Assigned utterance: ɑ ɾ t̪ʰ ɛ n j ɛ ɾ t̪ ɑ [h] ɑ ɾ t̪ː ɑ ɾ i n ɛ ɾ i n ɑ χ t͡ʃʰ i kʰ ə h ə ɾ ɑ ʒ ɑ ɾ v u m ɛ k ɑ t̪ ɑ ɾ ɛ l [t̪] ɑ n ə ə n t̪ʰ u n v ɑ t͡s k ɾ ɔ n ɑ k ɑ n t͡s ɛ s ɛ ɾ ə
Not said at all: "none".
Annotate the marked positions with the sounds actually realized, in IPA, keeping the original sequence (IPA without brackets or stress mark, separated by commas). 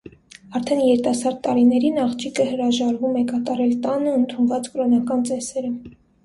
s, t̪